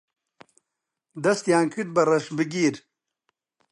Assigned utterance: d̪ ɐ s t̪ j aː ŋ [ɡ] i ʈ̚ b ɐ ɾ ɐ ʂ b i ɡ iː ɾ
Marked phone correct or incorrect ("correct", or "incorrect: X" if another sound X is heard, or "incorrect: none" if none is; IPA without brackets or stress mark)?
incorrect: k